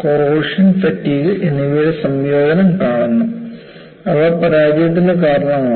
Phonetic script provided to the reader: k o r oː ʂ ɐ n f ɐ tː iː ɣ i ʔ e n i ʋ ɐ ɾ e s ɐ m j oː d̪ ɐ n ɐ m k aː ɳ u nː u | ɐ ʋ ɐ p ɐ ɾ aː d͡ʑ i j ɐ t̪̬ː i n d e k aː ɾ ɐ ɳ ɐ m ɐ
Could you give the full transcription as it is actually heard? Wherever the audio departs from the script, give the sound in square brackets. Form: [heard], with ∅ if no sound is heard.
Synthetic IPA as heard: k o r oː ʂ ɐ n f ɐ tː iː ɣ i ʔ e n i ʋ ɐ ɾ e s ɐ m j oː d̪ ɐ n ɐ m k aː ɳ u nː u | ɐ ʋ ɐ p ɐ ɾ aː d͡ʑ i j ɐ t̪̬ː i n d e k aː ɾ ɐ ɳ ɐ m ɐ